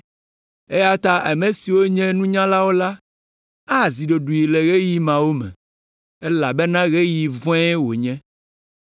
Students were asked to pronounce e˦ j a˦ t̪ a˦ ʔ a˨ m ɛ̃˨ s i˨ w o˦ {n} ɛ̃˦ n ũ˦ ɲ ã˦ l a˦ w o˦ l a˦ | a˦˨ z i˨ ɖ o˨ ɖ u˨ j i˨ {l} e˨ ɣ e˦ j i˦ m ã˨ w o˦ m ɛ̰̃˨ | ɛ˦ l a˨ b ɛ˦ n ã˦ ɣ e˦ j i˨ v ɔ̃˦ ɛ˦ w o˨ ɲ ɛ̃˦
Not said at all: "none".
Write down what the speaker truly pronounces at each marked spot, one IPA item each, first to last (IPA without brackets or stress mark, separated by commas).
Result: ɲ, l